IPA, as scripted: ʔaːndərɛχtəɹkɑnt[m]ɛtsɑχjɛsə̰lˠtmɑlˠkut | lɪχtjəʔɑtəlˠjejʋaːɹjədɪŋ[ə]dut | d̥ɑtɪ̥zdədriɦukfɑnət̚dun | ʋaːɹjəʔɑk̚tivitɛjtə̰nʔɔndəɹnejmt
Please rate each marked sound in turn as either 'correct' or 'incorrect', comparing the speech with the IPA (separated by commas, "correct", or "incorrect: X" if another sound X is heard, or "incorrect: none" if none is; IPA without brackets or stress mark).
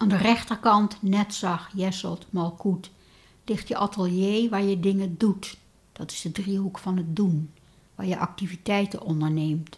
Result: incorrect: n, correct